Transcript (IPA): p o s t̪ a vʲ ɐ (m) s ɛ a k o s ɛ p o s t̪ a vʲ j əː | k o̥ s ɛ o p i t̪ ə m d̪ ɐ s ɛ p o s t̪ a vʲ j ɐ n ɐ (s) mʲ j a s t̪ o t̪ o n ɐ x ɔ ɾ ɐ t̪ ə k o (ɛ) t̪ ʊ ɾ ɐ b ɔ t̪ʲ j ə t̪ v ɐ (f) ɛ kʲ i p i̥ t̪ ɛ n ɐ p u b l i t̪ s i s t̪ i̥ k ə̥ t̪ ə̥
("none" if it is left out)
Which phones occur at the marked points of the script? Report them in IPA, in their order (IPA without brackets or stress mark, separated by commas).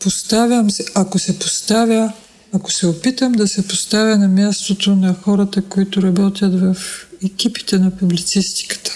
m, none, i, f